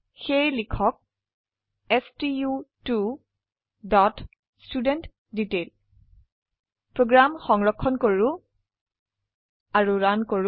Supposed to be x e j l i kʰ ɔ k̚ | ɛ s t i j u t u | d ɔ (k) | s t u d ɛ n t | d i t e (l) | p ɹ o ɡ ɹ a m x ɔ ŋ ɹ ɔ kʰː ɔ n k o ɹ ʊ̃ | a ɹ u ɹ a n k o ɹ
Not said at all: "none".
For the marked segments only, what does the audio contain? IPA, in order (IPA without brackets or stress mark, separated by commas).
t, l